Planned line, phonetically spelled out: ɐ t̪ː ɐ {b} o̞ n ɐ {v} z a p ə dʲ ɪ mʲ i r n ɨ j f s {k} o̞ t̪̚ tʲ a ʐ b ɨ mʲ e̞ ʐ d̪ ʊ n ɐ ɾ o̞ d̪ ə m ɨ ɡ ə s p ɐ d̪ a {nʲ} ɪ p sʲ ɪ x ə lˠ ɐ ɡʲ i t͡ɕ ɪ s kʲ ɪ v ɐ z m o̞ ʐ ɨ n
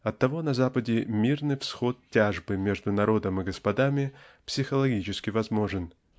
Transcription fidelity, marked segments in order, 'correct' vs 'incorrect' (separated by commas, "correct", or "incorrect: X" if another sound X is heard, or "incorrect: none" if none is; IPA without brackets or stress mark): incorrect: v, incorrect: none, incorrect: x, incorrect: mʲ